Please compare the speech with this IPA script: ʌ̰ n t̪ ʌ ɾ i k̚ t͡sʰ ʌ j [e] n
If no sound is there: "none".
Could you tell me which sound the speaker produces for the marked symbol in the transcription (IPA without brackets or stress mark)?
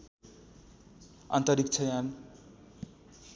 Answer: a